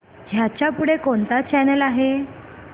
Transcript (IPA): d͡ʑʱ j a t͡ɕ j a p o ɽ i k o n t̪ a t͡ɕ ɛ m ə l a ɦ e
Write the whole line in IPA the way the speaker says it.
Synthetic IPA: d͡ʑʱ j a t͡ɕ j a p u ɽ e k o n t̪ a t͡ɕ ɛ n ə l a ɦ e